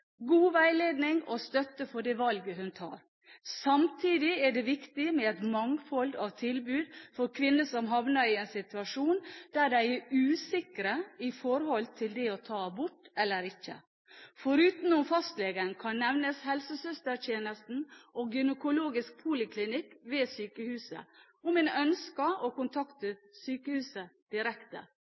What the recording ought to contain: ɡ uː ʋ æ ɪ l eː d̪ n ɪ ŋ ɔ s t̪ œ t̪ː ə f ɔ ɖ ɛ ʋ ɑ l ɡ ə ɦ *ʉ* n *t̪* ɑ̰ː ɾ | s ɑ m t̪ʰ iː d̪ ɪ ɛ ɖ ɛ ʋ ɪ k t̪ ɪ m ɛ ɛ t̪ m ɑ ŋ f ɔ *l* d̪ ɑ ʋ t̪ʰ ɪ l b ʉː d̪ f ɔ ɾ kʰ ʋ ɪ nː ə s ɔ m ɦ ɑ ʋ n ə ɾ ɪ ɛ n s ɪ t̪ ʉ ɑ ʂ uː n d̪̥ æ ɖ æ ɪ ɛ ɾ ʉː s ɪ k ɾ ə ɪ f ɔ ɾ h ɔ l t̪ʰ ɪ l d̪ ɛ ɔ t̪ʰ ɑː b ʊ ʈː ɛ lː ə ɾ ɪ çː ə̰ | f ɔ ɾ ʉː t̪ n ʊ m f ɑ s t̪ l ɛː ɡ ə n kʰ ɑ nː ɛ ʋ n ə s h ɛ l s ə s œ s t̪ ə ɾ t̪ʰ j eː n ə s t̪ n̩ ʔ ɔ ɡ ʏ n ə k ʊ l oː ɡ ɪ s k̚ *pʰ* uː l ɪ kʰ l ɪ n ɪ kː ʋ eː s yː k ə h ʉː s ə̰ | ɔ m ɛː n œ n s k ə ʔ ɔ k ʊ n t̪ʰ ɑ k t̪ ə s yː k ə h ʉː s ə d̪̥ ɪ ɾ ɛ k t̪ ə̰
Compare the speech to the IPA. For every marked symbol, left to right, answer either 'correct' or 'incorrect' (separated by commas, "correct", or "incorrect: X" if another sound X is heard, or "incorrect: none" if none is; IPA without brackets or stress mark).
correct, incorrect: t̪ʰ, correct, correct